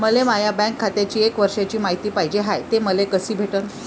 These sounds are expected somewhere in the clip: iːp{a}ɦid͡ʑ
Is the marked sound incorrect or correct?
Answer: correct